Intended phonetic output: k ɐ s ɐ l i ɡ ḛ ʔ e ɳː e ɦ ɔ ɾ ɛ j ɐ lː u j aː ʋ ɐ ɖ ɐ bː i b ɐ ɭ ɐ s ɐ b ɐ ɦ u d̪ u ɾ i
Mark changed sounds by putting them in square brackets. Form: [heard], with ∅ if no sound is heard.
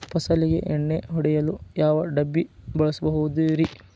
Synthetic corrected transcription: [p] ɐ s ɐ l i ɡ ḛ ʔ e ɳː e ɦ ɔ [ɽ] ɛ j ɐ [l] u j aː ʋ ɐ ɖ ɐ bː i b ɐ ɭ ɐ s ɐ b ɐ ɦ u d̪ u ɾ i